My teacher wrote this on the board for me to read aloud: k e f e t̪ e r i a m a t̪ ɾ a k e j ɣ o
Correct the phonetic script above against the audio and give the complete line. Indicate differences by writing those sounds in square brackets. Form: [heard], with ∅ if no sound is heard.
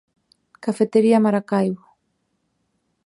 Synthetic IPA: k [a] f e t̪ e [ɾ] i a m a [∅] ɾ a k [a] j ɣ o

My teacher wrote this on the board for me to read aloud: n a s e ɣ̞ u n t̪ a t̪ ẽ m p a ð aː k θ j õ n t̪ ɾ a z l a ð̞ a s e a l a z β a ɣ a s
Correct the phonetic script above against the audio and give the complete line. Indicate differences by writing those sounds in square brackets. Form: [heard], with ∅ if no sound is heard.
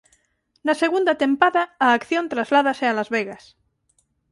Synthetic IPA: n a s e ɣ̞ u n [d̪] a t̪ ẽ m p a ð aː k θ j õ n t̪ ɾ a z l a ð̞ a s e a l a z β [e] ɣ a s

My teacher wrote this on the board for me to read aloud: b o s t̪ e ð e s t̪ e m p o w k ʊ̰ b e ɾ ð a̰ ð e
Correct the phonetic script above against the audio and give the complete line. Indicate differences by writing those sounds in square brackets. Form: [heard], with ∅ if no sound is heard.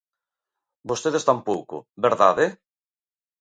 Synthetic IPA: b o s t̪ e ð e s t̪ [a] m p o w k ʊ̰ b e ɾ ð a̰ ð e

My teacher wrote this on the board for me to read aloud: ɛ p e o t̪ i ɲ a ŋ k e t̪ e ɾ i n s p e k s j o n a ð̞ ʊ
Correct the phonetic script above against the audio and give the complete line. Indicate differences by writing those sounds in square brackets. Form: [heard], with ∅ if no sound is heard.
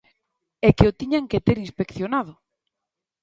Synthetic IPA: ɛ [k] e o t̪ i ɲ a ŋ k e t̪ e ɾ i n s p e k [θ] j o n a ð̞ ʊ

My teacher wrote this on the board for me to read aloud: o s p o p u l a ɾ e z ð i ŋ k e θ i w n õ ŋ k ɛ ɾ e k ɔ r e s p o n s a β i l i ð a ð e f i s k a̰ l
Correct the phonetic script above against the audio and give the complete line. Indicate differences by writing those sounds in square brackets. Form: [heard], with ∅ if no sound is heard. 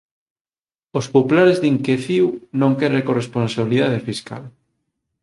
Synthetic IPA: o s p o p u l a ɾ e z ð i ŋ k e θ i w n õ ŋ k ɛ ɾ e k [o] r e s p o n s a β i l i ð a ð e f i s k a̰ l

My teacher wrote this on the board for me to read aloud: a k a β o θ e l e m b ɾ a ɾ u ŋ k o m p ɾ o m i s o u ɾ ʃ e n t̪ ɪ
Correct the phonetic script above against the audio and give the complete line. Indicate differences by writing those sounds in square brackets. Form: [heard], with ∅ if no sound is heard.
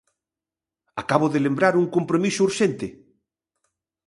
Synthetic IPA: a k a β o [ð] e l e m b ɾ a ɾ u ŋ k o m p ɾ o m i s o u ɾ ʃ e n t̪ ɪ

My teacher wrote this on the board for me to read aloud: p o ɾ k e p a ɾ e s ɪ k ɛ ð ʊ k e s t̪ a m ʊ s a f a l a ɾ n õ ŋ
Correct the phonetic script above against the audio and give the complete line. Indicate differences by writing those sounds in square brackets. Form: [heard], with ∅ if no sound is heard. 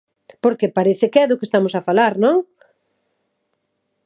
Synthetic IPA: p o ɾ k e p a ɾ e [θ] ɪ k ɛ ð ʊ k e s t̪ a m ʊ s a f a l a ɾ n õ ŋ

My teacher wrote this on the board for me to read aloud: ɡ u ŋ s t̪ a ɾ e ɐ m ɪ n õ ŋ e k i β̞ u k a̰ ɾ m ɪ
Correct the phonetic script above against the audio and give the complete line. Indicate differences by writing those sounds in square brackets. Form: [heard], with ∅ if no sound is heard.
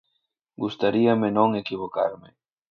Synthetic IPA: ɡ u [∅] s t̪ a ɾ [i] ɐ m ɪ n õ ŋ e k i β̞ [o] k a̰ ɾ m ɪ

